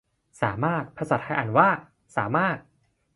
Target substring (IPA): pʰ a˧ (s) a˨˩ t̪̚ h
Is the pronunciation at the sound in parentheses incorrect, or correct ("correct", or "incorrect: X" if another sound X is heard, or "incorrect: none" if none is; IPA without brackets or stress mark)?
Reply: correct